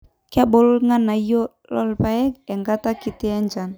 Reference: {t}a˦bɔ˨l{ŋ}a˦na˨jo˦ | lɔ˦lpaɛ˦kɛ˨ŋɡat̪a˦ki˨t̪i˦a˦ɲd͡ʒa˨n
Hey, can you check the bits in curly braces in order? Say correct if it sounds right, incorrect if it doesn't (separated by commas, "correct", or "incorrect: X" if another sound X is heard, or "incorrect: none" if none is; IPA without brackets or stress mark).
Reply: incorrect: k, correct